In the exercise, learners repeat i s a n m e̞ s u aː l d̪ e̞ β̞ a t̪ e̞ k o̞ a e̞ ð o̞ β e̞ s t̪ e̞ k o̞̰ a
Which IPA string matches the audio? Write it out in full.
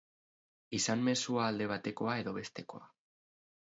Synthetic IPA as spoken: i s a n m e̞ s u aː l d̪ e̞ β̞ a t̪ e̞ k o̞ a e̞ ð o̞ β e̞ s t̪ e̞ k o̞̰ a